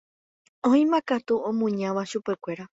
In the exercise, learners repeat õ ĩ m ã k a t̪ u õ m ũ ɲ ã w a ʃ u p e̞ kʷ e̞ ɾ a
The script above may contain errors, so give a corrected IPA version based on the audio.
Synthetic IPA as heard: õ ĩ m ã k a t̪ u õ m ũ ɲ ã ʋ a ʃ u p e̞ kʷ e̞ ɾ a